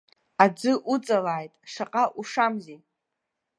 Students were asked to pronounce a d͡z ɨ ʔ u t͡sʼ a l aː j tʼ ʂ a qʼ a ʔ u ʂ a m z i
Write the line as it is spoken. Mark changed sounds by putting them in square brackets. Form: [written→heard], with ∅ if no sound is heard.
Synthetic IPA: a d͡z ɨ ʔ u t͡sʼ a l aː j tʼ ʂ a qʼ a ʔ u ʂ a m z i